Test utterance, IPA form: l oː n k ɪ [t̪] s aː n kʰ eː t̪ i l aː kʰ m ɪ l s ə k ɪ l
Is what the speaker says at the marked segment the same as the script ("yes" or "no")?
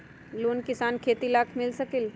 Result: no